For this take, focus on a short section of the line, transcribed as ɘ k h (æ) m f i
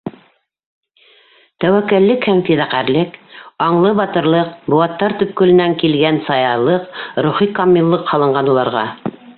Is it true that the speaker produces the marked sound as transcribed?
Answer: yes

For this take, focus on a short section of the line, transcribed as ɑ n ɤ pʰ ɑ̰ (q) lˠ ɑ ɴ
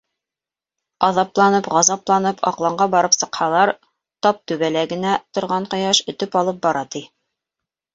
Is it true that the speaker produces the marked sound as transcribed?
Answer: yes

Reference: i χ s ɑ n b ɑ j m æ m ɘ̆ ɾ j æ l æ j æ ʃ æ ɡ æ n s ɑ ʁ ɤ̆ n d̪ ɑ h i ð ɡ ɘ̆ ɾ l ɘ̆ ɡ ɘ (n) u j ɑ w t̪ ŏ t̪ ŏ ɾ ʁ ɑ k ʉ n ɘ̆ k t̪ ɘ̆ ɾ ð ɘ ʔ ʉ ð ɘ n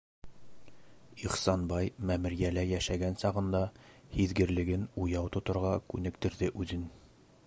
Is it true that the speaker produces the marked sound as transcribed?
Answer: yes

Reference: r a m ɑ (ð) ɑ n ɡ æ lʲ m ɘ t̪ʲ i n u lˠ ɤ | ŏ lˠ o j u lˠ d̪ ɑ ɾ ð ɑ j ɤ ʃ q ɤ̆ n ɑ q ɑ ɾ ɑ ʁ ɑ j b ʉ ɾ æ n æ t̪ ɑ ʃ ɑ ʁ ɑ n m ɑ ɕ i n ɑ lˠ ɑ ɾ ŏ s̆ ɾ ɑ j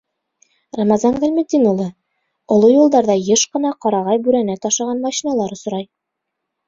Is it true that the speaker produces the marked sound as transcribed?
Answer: no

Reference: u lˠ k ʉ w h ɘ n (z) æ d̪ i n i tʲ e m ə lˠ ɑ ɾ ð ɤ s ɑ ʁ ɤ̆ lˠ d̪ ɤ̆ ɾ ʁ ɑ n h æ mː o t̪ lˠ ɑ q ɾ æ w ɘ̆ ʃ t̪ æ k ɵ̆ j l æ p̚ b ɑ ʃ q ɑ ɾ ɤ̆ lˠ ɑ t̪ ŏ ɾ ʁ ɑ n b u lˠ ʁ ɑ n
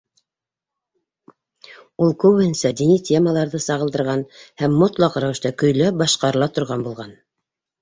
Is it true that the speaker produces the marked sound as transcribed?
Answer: no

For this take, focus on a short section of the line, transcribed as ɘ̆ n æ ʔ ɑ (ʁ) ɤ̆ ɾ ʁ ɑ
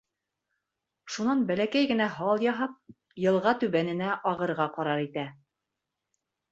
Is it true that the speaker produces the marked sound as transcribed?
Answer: yes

